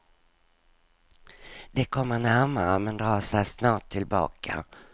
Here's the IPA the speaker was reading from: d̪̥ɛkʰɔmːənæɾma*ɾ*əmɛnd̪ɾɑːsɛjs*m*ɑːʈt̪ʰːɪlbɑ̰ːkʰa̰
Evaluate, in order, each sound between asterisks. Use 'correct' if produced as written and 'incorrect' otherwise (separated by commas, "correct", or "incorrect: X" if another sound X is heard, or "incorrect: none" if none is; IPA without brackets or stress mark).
correct, incorrect: n